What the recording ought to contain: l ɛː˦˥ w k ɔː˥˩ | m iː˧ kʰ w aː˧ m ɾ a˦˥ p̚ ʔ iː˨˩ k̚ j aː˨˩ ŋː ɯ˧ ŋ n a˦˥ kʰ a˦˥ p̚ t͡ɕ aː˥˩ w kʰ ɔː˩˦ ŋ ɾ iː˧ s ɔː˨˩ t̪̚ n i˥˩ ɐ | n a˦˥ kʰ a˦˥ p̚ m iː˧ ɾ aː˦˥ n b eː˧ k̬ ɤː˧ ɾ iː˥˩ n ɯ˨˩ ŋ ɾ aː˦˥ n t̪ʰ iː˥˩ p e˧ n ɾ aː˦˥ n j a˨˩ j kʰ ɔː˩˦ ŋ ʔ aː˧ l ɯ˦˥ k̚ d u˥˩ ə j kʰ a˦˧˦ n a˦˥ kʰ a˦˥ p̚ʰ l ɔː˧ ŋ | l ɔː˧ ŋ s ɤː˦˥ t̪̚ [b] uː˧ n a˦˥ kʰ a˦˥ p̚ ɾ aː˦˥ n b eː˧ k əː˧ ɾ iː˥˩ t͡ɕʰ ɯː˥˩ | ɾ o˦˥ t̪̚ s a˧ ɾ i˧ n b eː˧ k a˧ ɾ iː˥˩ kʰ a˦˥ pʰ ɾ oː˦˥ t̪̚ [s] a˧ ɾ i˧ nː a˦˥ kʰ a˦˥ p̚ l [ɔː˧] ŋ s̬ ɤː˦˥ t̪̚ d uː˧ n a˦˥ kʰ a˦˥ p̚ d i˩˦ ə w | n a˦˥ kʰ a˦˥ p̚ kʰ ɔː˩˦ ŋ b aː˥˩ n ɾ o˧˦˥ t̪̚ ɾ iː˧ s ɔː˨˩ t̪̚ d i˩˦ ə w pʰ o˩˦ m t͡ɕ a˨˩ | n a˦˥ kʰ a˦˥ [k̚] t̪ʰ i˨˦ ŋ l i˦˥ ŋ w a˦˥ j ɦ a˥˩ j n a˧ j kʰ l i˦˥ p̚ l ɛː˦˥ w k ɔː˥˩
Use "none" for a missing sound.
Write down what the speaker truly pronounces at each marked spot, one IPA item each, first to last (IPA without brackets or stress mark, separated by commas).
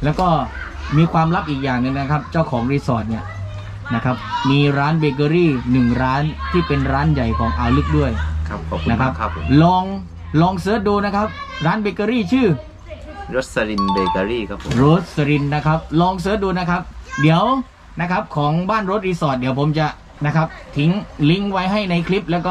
d, s, ɔː˧, p̚